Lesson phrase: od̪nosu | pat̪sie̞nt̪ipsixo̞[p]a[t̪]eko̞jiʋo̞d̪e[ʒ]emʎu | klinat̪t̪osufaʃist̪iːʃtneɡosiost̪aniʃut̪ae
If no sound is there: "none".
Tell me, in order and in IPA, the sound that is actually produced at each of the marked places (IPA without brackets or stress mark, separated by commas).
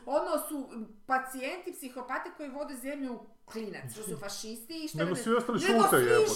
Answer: p, t̪, z